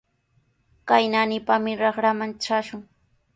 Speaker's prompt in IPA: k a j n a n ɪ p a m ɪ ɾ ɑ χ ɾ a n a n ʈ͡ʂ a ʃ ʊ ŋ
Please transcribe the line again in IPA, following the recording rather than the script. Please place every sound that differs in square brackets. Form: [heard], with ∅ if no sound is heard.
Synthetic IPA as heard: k a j n a n ɪ p a m ɪ ɾ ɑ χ ɾ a [m] a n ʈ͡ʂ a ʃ ʊ ŋ